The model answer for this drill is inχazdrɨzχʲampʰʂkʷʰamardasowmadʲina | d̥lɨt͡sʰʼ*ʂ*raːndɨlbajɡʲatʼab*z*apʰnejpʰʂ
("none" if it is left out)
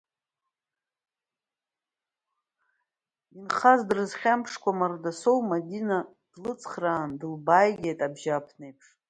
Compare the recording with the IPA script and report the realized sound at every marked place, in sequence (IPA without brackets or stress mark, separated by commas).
χ, ʒ